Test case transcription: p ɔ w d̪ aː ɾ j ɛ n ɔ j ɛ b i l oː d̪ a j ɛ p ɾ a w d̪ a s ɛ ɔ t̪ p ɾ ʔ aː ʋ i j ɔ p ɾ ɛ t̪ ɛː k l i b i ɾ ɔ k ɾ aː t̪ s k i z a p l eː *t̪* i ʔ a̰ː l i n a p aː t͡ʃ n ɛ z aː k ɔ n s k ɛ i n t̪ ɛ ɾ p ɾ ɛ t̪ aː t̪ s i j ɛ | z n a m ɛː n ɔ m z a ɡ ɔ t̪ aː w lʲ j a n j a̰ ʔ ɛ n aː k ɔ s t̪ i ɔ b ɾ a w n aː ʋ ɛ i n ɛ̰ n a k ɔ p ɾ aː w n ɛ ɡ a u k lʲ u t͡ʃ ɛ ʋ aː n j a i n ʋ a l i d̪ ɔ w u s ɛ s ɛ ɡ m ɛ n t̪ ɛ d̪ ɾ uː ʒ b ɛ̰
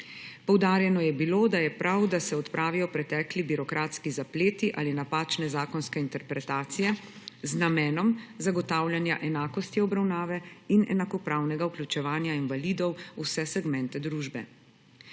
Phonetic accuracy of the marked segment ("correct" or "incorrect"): correct